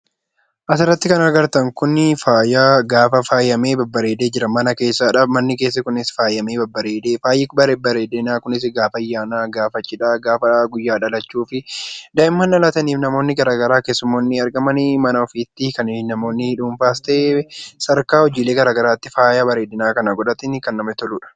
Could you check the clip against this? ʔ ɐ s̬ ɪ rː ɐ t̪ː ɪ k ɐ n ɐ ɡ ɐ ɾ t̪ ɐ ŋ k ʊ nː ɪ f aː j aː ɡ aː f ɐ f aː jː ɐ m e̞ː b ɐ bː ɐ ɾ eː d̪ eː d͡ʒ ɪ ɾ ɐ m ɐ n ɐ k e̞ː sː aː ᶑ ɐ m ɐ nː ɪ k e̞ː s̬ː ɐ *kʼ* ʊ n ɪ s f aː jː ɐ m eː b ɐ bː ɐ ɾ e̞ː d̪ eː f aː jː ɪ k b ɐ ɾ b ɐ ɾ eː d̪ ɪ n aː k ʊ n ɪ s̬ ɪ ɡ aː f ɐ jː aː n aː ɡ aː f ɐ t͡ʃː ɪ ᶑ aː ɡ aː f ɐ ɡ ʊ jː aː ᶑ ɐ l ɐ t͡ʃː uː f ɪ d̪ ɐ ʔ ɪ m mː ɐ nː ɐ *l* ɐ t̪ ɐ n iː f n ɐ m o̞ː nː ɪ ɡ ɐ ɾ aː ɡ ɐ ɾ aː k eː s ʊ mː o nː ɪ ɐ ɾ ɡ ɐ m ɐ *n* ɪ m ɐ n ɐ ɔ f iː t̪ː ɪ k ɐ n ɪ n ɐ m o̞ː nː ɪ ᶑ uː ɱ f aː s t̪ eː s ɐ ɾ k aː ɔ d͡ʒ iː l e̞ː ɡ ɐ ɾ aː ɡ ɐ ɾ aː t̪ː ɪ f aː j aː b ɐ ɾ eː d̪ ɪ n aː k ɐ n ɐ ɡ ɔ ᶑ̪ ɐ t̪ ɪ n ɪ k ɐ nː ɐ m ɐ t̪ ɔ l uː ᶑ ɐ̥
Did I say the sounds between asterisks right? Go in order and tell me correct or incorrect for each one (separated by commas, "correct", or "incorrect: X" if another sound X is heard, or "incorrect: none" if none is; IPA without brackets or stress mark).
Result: incorrect: k, correct, correct